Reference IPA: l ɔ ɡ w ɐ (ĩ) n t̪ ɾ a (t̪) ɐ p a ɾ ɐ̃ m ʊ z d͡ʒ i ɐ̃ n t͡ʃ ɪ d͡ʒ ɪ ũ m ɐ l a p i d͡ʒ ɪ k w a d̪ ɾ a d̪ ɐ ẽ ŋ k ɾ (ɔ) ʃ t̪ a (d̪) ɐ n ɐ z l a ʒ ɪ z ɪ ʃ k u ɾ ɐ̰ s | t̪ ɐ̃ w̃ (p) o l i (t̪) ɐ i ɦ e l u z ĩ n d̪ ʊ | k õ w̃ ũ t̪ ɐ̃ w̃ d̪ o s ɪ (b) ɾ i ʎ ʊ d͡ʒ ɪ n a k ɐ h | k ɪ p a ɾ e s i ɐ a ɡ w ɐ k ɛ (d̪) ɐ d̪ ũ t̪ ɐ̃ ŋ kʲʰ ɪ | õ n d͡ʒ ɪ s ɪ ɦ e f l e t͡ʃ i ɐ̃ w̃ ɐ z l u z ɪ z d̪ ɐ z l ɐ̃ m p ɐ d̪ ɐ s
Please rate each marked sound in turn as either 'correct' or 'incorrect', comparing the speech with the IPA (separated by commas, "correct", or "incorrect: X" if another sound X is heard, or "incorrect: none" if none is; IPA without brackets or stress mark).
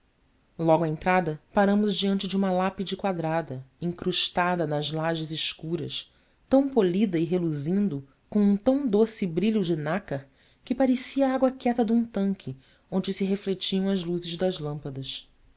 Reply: incorrect: ẽ, incorrect: d̪, incorrect: u, correct, correct, incorrect: d̪, correct, incorrect: t̪